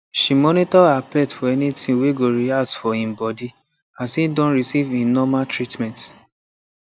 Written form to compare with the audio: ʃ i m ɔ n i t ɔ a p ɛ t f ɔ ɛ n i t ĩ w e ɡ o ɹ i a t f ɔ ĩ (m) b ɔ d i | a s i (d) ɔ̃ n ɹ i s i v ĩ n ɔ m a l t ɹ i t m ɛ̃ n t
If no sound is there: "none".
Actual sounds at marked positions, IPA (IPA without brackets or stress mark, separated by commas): m, d